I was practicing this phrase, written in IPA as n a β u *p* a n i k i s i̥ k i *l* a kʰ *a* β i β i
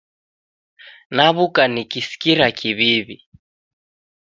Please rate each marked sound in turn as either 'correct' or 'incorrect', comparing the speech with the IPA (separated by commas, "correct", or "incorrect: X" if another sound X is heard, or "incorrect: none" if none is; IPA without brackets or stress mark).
incorrect: k, incorrect: ɾ, incorrect: i